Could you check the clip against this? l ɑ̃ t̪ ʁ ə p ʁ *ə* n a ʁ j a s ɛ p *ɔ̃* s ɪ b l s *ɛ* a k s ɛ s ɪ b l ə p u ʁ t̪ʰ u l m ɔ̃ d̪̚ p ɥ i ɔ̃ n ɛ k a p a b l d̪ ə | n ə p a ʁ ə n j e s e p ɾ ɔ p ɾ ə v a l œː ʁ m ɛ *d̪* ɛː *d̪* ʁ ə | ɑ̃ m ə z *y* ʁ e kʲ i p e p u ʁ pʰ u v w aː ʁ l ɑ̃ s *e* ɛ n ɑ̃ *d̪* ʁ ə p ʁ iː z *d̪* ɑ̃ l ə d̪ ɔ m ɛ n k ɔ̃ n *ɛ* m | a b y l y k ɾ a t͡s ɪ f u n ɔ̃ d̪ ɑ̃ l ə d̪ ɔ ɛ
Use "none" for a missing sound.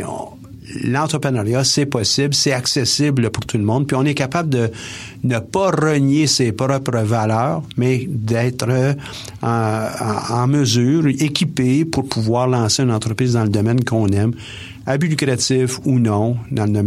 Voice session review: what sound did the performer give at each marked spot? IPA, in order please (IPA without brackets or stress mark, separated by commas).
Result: ə, ɔ, ɛ, d̪, t̪, yː, e, t̪, d̪, ɛ